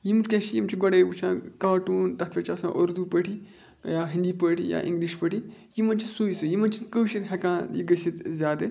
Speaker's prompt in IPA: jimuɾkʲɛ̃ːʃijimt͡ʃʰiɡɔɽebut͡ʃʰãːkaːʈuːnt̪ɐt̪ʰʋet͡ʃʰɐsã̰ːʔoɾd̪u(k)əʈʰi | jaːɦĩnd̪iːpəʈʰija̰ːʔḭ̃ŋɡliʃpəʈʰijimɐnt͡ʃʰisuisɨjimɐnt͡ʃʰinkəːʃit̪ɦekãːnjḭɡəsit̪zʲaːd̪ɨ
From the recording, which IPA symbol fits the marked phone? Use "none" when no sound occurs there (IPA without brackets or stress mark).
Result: p